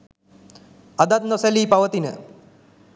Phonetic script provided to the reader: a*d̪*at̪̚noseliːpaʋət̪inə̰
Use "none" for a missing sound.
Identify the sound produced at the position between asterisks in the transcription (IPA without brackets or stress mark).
d̪